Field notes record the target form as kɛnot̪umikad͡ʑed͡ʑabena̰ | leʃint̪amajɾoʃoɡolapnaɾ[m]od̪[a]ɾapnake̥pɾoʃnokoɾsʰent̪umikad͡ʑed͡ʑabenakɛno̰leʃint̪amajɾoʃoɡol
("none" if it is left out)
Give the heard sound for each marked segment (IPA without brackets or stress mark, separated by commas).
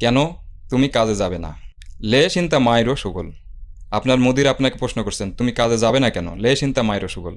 m, i